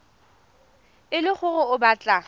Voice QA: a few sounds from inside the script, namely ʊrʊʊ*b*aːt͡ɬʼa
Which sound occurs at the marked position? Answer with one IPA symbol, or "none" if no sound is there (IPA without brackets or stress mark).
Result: b